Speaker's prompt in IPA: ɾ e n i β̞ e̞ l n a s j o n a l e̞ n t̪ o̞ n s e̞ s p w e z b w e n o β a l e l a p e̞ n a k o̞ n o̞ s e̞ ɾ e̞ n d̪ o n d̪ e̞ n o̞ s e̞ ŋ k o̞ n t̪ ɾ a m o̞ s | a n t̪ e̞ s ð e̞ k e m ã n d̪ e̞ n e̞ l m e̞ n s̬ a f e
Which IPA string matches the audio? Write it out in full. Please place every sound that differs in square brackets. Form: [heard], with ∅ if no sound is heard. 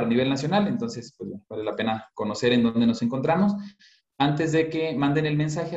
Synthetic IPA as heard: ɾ [a] n i β̞ e̞ l n a s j o n a l e̞ n t̪ o̞ n s e̞ s p w e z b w e n o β a l e l a p e̞ n a k o̞ n o̞ s e̞ ɾ e̞ n d̪ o n d̪ e̞ n o̞ s e̞ ŋ k o̞ n t̪ ɾ a m o̞ s | a n t̪ e̞ [z] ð e̞ k e m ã n d̪ e̞ n e̞ l m e̞ n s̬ a [x] e